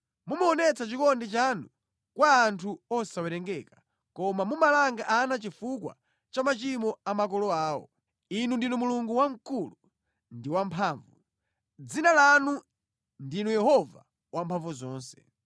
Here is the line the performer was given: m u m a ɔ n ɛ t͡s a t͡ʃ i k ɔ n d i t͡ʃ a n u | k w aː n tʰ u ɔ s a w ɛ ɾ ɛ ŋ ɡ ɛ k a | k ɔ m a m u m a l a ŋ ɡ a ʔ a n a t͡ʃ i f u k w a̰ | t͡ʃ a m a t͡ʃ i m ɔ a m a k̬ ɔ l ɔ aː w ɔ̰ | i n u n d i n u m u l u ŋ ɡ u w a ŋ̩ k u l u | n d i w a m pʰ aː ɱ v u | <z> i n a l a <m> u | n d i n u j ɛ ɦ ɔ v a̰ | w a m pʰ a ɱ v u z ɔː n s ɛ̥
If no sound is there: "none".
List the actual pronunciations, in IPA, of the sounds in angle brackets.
d͡z, n

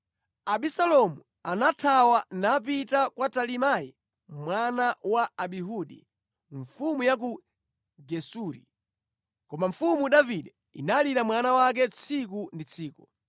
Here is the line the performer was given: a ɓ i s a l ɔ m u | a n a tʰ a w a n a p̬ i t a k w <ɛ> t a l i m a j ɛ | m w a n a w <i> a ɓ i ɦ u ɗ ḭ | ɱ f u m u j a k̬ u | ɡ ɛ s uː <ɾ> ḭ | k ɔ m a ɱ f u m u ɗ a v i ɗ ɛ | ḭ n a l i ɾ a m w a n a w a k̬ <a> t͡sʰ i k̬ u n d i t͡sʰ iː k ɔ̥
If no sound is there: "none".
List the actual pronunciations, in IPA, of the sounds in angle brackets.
a, a, ɾ, ɛ

